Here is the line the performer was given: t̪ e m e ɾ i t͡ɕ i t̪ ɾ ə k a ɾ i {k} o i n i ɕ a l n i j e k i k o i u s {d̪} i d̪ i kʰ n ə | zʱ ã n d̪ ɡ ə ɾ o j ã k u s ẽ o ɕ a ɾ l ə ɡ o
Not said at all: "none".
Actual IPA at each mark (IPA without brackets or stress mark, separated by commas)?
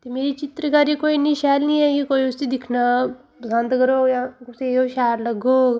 k, t̪